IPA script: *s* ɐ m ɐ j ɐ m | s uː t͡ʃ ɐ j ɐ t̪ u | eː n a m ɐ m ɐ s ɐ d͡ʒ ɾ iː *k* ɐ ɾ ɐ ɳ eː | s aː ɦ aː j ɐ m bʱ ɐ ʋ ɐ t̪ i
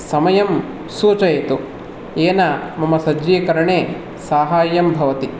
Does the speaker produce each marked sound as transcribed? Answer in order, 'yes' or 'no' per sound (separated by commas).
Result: yes, yes